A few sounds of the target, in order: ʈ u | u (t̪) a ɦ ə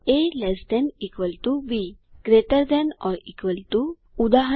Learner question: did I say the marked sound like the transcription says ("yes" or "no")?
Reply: no